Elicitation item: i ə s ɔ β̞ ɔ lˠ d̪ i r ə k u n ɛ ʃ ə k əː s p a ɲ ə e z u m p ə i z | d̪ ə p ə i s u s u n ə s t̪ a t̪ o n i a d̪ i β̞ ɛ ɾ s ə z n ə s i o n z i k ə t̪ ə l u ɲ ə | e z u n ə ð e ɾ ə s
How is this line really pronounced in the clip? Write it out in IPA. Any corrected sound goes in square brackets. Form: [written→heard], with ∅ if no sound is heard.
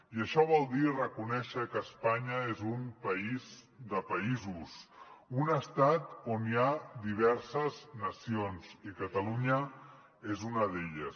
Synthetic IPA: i ə [s→ʃ] ɔ β̞ ɔ lˠ d̪ i r ə k u n ɛ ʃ ə k əː s p a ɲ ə e z u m p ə i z | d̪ ə p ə i [s→z] u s u n ə s t̪ a t̪ o n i a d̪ i β̞ ɛ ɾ s ə z n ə s i o n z i k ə t̪ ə l u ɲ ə | e z u n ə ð e [ɾ→ʎ] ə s